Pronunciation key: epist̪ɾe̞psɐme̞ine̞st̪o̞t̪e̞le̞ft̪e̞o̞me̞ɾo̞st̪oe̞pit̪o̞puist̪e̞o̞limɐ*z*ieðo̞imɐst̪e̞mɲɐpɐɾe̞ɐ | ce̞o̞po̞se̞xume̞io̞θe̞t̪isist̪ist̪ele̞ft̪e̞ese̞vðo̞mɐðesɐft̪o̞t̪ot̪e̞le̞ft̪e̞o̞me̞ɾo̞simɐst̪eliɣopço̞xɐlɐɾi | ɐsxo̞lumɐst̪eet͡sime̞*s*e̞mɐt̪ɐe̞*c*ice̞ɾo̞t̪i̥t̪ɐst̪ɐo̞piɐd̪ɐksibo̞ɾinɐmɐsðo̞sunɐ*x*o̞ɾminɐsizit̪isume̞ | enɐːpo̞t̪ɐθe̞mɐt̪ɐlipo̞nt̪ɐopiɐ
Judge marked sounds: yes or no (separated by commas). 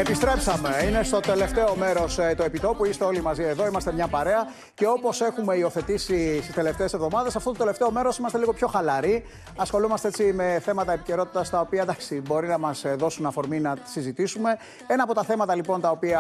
yes, no, no, no